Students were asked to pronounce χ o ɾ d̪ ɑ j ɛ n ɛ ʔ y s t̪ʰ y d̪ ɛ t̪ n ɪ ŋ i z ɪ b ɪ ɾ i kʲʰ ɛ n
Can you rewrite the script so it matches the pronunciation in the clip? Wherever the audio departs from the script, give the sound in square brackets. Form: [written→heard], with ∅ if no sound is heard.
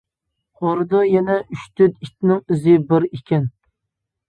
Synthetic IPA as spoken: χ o ɾ d̪ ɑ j ɛ n ɛ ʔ y [s→ʃ] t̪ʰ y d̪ [ɛ→i] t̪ n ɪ ŋ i z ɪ b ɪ ɾ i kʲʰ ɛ n